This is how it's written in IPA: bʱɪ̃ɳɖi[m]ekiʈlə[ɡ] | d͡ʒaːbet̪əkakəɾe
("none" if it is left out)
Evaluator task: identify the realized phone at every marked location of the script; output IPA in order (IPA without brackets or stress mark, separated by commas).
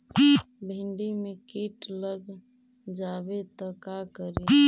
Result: m, ɡ